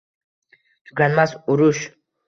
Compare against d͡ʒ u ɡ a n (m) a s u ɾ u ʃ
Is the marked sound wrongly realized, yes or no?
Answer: no